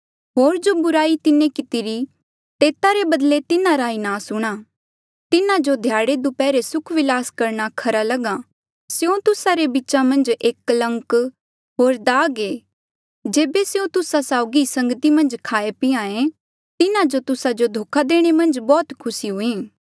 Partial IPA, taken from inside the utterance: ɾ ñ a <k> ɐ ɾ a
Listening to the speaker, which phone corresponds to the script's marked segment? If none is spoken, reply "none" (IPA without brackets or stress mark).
kʰ